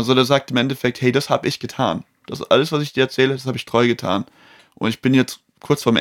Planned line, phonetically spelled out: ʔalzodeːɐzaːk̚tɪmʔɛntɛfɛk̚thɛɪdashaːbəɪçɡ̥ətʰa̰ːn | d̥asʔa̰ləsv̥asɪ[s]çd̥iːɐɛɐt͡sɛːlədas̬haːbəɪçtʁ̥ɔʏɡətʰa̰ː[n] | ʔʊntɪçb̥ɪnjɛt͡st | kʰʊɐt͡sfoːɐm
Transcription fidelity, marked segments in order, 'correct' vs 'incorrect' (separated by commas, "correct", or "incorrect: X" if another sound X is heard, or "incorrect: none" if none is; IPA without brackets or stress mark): incorrect: none, correct